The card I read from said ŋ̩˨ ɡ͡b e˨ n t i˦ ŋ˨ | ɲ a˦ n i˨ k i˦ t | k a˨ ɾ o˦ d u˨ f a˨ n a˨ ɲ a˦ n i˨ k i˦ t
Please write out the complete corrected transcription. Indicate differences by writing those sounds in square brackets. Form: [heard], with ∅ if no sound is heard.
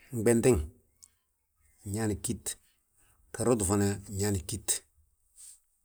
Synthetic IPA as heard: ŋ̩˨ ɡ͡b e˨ n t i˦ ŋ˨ | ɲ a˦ n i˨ k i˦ t | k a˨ ɾ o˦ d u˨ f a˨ n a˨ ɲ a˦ n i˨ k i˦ t